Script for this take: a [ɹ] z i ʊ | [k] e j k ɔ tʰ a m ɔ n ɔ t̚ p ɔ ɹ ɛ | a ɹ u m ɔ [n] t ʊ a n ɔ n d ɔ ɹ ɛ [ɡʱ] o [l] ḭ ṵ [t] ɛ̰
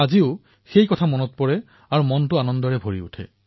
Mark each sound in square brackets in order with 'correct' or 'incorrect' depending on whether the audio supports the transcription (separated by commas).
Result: incorrect, incorrect, correct, incorrect, incorrect, incorrect